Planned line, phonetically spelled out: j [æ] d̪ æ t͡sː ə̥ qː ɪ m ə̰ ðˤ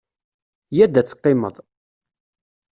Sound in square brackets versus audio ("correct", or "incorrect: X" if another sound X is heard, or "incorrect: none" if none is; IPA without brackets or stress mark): correct